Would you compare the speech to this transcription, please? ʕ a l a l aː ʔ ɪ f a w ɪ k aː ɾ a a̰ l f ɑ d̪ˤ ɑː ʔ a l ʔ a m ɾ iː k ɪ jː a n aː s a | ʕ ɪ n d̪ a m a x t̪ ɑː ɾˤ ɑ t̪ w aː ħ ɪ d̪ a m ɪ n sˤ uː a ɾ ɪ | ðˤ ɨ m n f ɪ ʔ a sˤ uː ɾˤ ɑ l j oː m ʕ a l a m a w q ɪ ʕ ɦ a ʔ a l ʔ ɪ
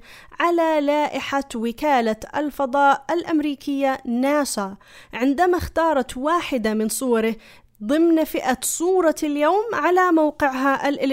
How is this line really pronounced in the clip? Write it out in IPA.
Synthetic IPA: ʕ a l a l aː ʔ ɪ ħ a w ɪ k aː l a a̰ l f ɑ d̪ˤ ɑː ʔ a l ʔ a m ɾ iː k ɪ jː a n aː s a | ʕ ɪ n d̪ a m a x t̪ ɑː ɾˤ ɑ t̪ w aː ħ ɪ d̪ a m ɪ n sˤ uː ɑ ɾ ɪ | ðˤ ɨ m n f ɪ ʔ a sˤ uː ɾˤ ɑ l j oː m ʕ a l a m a w q ɪ ʕ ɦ a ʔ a l ʔ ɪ